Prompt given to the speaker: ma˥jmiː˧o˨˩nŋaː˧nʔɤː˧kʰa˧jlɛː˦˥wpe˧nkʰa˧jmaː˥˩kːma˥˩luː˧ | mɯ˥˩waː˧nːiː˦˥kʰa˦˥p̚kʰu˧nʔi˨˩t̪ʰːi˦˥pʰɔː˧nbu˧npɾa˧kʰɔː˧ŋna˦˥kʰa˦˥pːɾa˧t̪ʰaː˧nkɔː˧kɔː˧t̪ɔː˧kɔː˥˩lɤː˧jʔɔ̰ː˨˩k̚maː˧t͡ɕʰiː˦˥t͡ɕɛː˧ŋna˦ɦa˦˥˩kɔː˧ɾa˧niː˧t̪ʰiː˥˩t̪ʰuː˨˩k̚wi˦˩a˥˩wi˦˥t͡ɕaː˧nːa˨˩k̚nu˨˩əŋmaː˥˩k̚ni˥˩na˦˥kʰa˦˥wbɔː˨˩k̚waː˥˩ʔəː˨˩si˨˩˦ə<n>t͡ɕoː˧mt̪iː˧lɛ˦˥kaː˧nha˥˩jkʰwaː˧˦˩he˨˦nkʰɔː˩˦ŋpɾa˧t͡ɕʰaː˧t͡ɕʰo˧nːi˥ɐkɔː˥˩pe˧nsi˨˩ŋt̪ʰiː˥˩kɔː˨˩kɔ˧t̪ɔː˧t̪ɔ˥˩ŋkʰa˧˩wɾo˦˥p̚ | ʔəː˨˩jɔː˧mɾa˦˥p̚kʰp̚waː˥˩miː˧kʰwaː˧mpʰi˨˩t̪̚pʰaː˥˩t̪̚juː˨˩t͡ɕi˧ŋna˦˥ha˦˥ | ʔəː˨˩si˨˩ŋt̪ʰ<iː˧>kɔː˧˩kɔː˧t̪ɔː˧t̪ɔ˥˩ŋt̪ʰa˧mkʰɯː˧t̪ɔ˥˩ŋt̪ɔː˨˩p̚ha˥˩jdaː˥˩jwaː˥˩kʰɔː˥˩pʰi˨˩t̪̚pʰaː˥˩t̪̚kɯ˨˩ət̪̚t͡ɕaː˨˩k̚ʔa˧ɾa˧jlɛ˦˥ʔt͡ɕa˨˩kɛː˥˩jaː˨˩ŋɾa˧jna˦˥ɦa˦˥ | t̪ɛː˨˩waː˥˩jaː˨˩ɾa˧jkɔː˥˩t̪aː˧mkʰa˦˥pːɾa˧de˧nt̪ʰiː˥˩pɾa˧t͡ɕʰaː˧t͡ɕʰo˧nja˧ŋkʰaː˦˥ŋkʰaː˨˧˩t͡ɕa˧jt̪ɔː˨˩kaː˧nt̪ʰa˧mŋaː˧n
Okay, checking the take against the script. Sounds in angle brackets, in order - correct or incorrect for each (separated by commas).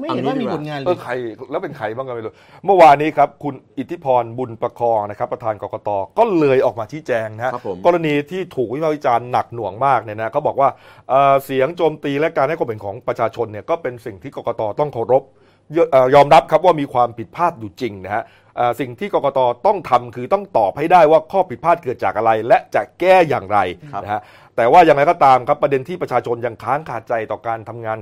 incorrect, incorrect